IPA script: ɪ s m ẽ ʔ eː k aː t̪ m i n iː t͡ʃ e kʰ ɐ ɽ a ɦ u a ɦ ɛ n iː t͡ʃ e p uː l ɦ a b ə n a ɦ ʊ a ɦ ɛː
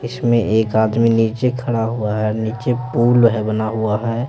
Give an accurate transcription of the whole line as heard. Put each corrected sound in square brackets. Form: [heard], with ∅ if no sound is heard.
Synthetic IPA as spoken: ɪ s m ẽ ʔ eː k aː [d̪] m i n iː t͡ʃ e kʰ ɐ ɽ a ɦ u a ɦ ɛ n iː t͡ʃ e p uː l ɦ [ɛ] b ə n a ɦ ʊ a ɦ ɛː